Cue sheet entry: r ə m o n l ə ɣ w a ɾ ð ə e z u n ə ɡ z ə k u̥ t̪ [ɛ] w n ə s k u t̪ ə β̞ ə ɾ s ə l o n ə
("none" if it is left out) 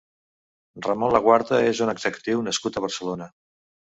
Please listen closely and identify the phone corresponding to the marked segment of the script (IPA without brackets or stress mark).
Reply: i